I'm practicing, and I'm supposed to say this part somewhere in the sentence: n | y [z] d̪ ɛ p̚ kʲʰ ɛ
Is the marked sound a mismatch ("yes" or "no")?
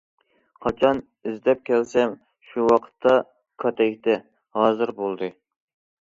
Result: no